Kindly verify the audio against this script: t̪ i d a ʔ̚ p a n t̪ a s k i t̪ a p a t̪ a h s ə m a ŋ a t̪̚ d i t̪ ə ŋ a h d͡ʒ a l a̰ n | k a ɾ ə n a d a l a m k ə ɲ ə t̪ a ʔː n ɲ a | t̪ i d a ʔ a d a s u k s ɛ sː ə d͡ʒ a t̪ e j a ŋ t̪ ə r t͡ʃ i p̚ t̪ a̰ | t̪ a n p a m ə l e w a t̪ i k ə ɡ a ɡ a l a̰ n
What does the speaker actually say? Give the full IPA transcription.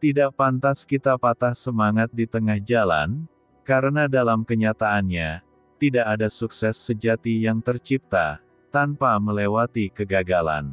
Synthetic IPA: t̪ i d a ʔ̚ p a n t̪ a s k i t̪ a p a t̪ a h s ə m a ŋ a t̪̚ d i t̪ ə ŋ a h d͡ʒ a l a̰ n | k a ɾ ə n a d a l a m k ə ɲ a t̪ a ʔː n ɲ a | t̪ i d a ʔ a d a s u k s ɛ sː ə d͡ʒ a t̪ i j a ŋ t̪ ə r t͡ʃ i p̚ t̪ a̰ | t̪ a n p a m ə l e w a t̪ i k ə ɡ a ɡ a l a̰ n